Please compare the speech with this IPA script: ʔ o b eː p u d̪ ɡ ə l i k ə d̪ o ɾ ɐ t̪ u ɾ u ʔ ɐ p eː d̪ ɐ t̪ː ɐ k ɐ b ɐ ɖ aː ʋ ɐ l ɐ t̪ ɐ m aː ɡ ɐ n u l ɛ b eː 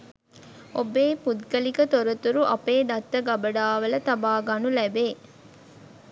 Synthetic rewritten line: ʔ o b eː p u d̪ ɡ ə l i k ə t̪ o ɾ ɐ t̪ u ɾ u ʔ ɐ p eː d̪ ɐ t̪ː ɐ ɡ ɐ b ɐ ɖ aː ʋ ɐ l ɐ t̪ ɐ b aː ɡ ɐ n u l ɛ b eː

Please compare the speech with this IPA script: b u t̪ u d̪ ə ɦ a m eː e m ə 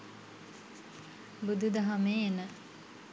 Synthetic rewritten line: b u d̪ u d̪ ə ɦ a m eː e n ə

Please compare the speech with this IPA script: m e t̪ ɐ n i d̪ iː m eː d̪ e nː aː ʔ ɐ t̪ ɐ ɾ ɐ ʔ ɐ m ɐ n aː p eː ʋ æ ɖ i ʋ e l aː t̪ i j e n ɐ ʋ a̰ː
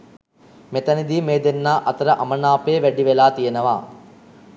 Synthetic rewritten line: m e t̪ ɐ n i d̪ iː m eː d̪ e nː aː ʔ ɐ t̪ ɐ ɾ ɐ ʔ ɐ m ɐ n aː p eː ʋ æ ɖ i ʋ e l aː t̪ i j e n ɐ ʋ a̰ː

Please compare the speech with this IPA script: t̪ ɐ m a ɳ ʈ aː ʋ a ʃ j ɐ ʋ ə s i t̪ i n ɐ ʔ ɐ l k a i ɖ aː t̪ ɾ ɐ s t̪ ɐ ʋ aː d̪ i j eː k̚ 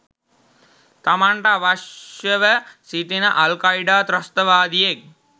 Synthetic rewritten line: t̪ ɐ m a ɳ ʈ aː ʋ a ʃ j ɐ ʋ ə s i t̪ i n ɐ ʔ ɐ l k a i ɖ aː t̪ ɾ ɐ s t̪ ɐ ʋ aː d̪ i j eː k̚

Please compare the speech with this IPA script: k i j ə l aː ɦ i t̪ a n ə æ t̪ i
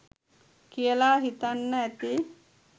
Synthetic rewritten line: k i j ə l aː ɦ i t̪ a nː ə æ t̪ i

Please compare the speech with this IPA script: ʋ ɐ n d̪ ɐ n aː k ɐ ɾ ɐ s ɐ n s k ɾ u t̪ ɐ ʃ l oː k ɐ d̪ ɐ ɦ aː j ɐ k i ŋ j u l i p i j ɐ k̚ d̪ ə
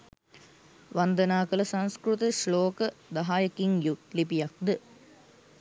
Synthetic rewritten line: ʋ ɐ n d̪ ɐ n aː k ɐ l ɐ s ɐ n s k ɾ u t̪ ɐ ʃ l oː k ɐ d̪ ɐ ɦ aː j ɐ k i ŋ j u l i p i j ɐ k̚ d̪ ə

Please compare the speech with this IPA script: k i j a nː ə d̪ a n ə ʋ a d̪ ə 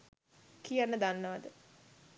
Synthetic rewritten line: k i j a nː ə d̪ a nː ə ʋ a d̪ ə

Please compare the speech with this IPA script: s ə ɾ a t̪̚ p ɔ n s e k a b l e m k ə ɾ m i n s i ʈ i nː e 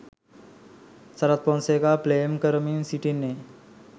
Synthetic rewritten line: s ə ɾ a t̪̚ p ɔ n s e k a p l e m k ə ɾ m i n s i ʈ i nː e

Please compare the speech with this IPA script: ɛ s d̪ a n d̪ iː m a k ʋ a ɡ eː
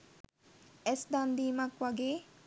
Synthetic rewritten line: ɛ s d̪ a n d̪ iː m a k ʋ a ɡ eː

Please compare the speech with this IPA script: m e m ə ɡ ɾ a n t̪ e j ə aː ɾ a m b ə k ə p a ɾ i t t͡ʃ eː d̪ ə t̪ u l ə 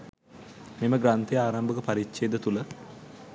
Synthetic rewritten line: m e m ə ɡ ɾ a n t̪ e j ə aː ɾ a m b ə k ə p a ɾ i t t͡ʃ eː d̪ ə t̪ u l ə

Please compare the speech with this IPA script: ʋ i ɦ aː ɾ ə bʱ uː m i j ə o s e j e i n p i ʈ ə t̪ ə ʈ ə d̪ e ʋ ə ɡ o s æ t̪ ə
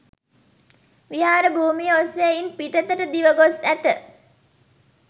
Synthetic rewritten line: ʋ i ɦ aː ɾ ə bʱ uː m i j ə o s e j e i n p i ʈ ə t̪ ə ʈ ə d̪ i ʋ ə ɡ o s æ t̪ ə

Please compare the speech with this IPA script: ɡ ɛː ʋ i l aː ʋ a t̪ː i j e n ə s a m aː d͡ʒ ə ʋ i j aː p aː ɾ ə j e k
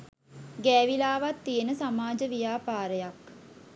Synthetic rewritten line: ɡ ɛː ʋ i l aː ʋ a t̪ː i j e n ə s a m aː d͡ʒ ə ʋ i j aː p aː ɾ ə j a k

